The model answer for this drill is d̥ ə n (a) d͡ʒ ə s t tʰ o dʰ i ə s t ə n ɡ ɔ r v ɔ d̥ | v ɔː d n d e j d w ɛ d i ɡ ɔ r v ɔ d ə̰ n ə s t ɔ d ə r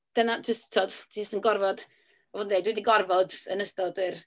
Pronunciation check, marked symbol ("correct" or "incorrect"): correct